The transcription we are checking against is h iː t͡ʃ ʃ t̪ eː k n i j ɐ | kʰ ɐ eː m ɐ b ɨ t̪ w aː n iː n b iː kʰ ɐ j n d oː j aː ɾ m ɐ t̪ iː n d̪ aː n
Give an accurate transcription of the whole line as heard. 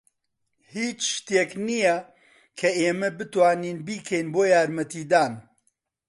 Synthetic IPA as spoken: h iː t͡ʃ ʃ t̪ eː k n i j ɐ | kʰ ɐ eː m ɐ b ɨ t̪ w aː n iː n b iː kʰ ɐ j n b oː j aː ɾ m ɐ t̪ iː d̪ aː n